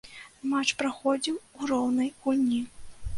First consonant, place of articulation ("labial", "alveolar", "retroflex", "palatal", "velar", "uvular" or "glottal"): labial